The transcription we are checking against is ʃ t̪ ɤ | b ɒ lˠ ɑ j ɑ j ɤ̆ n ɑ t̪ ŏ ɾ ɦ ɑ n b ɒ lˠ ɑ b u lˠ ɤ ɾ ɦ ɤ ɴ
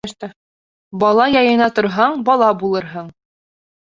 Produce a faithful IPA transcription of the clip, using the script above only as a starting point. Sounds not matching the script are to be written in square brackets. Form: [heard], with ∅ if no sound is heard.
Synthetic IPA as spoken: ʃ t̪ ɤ | b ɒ lˠ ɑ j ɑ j ɤ̆ n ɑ t̪ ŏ ɾ ɦ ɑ [ɴ] b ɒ lˠ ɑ b u lˠ ɤ ɾ ɦ ɤ ɴ